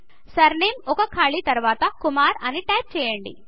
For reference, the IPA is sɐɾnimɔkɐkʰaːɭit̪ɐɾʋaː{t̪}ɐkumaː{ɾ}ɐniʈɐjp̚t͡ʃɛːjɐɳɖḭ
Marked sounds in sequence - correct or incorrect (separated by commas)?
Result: correct, correct